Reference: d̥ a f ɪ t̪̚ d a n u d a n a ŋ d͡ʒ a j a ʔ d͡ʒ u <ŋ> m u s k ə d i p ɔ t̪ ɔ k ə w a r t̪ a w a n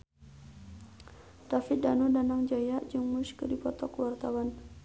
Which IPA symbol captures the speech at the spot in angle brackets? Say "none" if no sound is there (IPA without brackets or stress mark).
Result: ŋ